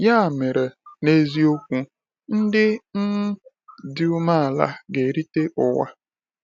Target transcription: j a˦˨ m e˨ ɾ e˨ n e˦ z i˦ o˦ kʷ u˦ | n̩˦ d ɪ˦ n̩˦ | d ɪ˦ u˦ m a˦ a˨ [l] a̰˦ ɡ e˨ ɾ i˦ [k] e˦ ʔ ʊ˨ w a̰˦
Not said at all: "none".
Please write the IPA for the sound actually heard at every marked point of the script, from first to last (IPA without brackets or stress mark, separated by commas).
l, t